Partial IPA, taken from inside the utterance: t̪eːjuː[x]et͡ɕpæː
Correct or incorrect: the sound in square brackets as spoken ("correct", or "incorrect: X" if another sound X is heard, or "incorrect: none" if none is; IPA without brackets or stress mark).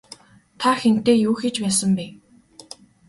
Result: correct